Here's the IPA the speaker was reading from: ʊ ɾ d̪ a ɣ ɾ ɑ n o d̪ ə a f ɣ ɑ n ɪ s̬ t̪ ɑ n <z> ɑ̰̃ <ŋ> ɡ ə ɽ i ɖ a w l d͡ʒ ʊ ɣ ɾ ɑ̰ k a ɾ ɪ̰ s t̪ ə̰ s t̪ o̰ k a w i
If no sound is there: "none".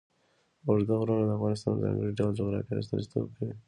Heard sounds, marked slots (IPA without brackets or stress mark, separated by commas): z, ŋ